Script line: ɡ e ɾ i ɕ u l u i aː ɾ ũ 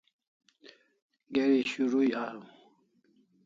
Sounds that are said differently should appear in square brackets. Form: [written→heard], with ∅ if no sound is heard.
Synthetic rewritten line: ɡ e ɾ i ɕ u [l→ɾ] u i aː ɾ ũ

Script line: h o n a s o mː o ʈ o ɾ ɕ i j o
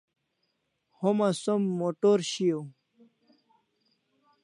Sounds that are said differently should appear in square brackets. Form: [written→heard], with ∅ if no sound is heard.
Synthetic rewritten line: h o [n→m] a s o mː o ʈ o ɾ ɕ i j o

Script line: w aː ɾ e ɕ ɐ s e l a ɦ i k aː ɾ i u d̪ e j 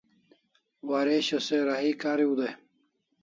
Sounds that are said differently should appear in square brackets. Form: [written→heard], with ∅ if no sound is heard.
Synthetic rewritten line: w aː ɾ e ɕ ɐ s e [l→ɾ] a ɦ i k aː ɾ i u d̪ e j

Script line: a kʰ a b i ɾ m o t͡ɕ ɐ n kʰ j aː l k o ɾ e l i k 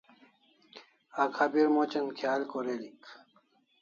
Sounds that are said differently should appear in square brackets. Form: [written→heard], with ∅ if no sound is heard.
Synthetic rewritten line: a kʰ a b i ɾ m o t͡ɕ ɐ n kʰ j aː l k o ɾ e l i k

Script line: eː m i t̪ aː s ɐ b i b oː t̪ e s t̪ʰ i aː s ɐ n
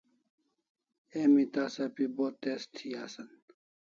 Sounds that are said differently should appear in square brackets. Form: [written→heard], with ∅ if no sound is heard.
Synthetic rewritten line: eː m i t̪ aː s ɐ [b→p] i b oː t̪ e s t̪ʰ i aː s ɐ n

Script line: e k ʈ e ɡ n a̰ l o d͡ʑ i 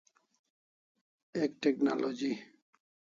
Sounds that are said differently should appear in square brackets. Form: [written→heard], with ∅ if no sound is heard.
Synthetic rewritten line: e k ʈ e [ɡ→k] n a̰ l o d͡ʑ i

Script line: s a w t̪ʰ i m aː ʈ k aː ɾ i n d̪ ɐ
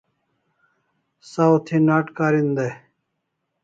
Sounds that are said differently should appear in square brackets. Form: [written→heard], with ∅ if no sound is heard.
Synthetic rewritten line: s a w t̪ʰ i [m→n] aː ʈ k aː ɾ i n d̪ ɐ

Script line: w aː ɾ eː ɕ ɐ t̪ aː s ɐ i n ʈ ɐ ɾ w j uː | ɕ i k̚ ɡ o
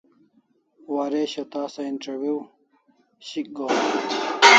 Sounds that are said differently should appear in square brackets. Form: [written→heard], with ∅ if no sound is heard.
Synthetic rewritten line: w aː ɾ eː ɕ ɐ t̪ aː s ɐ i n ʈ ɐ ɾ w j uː | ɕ i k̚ ɡ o

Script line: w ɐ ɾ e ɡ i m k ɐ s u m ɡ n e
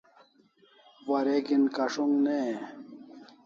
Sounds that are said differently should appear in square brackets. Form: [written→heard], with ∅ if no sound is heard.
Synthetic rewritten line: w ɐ ɾ e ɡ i [m→n] k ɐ [s→ʂ] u [m→ŋ] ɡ n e

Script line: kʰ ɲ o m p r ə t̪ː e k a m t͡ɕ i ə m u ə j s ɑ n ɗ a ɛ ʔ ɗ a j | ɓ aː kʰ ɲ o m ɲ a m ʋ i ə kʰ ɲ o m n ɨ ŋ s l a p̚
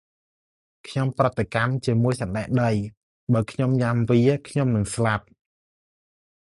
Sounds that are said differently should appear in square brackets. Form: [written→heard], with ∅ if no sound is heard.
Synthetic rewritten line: kʰ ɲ o m p r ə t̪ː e k a m t͡ɕ i ə m u ə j s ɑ n ɗ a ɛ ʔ ɗ [a→ə] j | ɓ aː kʰ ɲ o m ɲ a m ʋ i ə kʰ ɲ o m n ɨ ŋ s l a p̚

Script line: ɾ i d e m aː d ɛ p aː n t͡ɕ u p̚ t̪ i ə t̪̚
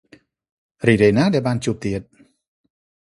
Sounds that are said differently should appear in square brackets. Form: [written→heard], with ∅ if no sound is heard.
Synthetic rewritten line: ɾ i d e [m→n] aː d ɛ [p→b] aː n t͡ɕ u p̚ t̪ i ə t̪̚

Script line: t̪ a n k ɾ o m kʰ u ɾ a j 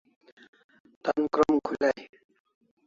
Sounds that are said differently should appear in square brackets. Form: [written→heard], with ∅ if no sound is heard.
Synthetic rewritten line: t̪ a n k ɾ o m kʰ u [ɾ→l] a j

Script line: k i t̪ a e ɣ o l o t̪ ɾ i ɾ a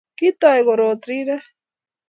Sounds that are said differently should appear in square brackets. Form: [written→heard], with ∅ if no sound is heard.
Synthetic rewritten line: k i t̪ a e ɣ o [l→ɾ] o t̪ ɾ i ɾ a

